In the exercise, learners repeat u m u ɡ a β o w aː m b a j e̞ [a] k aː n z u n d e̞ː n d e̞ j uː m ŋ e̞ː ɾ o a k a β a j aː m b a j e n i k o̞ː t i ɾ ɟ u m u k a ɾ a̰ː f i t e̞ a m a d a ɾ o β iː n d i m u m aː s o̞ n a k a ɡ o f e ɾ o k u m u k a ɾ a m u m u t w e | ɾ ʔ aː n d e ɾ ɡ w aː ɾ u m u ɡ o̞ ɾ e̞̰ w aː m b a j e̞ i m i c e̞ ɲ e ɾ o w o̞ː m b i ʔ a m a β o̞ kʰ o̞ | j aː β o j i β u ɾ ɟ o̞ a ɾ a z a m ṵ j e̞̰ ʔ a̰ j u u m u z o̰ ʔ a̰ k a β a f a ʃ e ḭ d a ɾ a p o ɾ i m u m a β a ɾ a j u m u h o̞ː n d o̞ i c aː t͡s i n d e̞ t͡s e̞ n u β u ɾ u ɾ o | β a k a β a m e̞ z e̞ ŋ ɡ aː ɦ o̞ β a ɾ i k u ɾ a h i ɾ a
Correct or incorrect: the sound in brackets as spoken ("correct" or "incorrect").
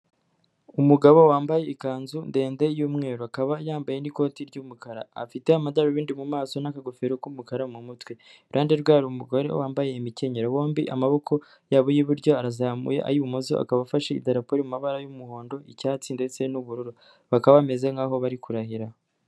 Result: incorrect